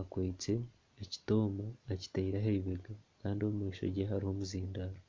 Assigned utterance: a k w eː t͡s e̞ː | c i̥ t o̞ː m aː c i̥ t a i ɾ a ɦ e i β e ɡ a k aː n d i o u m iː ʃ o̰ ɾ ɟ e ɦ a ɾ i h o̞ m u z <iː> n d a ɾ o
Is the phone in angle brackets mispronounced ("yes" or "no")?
no